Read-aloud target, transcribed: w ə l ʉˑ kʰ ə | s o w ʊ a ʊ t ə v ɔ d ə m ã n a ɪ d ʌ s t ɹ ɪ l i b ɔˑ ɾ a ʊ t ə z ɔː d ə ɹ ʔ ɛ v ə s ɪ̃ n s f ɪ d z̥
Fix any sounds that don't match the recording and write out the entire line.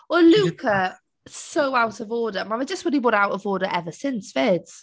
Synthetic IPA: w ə l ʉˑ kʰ ə | s o ʊ a ʊ t ə v ɔː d ə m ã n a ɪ d͡ʒ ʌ s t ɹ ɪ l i b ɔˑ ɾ a ʊ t ə v ɔː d ə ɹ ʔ ɛ v ə s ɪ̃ n s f ɪ d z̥